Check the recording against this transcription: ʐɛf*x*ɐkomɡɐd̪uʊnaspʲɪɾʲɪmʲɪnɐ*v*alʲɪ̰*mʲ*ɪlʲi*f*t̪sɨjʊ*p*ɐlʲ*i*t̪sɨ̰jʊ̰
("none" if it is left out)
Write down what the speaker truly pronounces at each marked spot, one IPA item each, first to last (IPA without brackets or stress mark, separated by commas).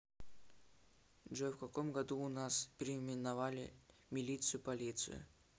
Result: k, v, mʲ, none, p, i